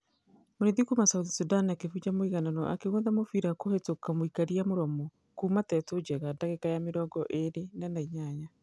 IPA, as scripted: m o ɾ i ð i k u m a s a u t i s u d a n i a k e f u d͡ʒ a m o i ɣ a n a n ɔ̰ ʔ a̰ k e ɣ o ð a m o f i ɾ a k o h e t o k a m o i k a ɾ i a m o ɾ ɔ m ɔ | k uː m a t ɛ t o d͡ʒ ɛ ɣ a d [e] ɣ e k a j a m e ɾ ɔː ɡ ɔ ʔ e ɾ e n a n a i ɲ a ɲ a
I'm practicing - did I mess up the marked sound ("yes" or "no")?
yes